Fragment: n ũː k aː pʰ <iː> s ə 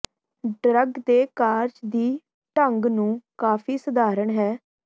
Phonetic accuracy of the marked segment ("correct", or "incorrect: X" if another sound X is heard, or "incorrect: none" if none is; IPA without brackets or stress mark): correct